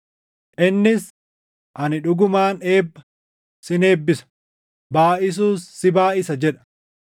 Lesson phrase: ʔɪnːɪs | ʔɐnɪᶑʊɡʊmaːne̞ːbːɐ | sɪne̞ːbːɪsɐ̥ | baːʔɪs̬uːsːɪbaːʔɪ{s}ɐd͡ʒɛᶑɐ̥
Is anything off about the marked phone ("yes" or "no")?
no